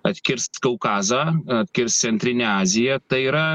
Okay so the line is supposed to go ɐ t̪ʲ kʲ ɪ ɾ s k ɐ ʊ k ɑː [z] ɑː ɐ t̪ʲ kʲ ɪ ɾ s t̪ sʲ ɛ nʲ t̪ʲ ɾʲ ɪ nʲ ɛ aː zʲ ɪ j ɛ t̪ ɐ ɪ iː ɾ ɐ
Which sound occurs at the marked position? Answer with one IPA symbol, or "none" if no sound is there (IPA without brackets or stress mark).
z